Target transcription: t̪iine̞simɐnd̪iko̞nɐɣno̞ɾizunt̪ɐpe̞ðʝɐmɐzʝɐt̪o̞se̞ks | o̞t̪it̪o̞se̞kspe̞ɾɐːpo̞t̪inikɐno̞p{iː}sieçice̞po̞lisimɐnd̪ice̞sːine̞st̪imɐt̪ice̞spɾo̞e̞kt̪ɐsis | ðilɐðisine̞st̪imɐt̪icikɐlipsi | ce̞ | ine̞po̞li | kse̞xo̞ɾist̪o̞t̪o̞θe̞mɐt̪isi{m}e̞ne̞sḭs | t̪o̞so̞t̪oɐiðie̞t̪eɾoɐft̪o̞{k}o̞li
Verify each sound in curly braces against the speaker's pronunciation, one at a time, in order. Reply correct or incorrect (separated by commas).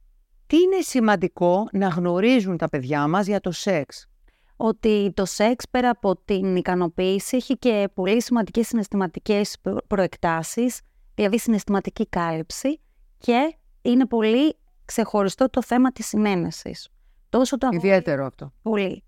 correct, incorrect, incorrect